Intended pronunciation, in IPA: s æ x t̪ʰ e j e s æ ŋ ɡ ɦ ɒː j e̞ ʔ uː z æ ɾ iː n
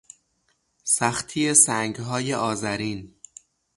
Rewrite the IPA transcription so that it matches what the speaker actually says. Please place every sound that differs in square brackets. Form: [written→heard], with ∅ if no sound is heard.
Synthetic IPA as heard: s æ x t̪ʰ [e→i] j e s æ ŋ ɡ ɦ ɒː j e̞ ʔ [uː→ɒː] z æ ɾ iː n